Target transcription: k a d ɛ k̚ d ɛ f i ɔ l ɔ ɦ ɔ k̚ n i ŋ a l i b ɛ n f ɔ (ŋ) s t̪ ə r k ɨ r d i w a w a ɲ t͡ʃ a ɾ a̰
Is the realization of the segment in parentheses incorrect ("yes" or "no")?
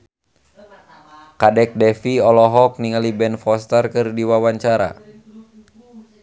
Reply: yes